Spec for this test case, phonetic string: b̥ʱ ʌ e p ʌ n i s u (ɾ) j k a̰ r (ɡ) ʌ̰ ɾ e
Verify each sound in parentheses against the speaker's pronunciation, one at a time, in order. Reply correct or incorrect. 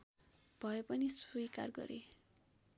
incorrect: none, correct

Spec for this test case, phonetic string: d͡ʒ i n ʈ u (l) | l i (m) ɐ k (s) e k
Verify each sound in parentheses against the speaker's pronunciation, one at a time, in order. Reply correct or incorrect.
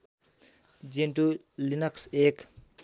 incorrect: none, incorrect: n, correct

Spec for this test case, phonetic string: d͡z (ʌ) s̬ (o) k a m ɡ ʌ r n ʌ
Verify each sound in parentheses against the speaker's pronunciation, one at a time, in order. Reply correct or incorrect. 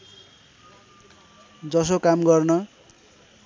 correct, correct

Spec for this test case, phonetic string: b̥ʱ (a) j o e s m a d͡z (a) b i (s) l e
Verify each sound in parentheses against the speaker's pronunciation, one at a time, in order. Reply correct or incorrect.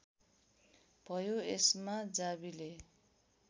incorrect: ʌ, correct, incorrect: none

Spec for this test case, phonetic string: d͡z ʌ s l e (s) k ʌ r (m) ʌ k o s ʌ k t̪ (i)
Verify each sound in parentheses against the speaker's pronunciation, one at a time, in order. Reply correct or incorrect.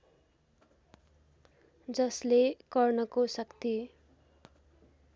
incorrect: none, incorrect: n, correct

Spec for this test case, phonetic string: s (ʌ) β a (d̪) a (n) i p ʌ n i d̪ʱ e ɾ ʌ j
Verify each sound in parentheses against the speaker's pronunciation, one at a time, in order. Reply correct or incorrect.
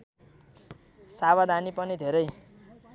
incorrect: a, correct, correct

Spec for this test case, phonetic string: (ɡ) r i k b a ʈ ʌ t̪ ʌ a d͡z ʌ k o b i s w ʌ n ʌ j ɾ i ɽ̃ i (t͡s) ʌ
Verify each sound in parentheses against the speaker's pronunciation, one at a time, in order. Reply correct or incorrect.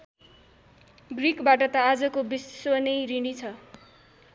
correct, incorrect: t͡sʰ

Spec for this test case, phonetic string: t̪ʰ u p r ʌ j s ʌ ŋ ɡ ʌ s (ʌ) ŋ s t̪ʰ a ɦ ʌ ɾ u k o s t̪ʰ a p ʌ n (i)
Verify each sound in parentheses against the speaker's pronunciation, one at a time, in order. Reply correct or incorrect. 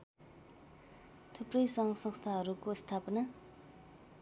correct, incorrect: a

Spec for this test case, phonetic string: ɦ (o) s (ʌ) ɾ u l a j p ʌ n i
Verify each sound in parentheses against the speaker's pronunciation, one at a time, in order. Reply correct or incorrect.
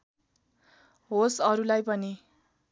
correct, correct

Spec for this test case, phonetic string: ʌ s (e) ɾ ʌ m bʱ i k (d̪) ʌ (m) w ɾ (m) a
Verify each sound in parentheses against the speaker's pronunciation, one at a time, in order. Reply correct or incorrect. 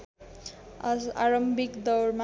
incorrect: a, correct, incorrect: none, correct

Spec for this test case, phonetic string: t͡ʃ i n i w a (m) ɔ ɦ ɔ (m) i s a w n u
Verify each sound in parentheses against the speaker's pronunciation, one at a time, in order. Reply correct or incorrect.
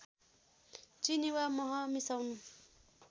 correct, correct

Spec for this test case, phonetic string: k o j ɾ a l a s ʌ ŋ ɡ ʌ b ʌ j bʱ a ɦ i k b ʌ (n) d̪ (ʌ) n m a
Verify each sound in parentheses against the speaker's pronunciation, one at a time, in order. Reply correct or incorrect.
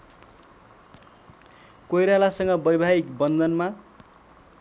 correct, correct

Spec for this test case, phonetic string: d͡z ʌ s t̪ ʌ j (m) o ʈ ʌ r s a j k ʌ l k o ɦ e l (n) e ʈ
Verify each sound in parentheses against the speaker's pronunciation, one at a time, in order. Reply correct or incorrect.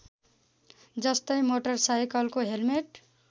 correct, incorrect: m

